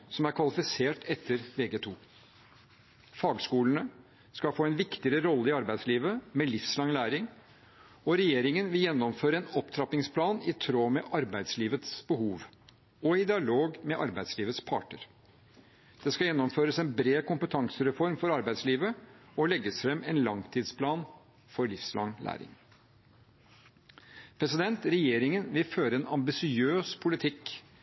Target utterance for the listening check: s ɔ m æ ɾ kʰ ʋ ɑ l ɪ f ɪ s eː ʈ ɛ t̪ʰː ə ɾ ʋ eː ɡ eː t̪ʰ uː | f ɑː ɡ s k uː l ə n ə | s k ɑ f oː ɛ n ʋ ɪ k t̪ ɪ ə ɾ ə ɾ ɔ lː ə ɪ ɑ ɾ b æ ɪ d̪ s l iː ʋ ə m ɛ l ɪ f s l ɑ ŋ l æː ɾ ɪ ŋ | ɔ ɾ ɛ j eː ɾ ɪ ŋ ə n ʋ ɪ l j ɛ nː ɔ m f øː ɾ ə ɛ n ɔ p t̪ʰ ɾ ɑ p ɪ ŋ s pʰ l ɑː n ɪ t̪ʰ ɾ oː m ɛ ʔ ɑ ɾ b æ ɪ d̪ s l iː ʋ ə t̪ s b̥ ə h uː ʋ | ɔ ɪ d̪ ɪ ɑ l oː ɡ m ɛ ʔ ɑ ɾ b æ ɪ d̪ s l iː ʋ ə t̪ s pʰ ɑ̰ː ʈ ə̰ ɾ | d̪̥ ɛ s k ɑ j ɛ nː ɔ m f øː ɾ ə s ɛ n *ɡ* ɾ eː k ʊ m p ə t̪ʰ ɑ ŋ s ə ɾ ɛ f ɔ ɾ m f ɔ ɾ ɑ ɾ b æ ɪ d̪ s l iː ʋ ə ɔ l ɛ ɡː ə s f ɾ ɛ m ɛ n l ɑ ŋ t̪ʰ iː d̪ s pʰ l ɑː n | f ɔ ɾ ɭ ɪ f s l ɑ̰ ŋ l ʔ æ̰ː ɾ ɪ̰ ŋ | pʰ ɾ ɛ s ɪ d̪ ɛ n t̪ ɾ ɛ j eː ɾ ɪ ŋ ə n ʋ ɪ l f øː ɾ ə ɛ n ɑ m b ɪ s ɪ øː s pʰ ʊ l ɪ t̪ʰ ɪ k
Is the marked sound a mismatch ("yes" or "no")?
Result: yes